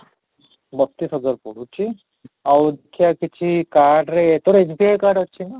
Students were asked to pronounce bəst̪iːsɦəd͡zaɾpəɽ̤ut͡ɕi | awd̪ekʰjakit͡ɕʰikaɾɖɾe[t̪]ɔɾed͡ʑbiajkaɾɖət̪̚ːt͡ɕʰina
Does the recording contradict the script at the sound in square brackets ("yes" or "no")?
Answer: no